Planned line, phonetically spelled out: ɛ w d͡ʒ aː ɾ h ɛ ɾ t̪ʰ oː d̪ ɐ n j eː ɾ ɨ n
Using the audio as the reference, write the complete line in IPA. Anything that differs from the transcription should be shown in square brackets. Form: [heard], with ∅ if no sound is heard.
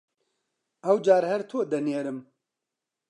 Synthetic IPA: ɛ w d͡ʒ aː ɾ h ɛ ɾ t̪ʰ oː d̪ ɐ n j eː ɾ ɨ [m]